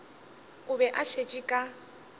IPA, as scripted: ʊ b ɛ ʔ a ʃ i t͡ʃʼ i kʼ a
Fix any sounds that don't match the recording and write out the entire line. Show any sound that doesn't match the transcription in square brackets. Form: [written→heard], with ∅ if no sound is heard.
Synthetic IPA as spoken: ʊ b ɛ ʔ a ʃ [i→e] t͡ʃʼ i kʼ a